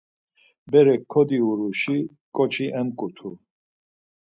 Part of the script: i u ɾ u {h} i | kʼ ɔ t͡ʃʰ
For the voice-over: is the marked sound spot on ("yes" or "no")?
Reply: no